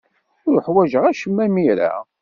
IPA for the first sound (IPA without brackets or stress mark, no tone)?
ʊ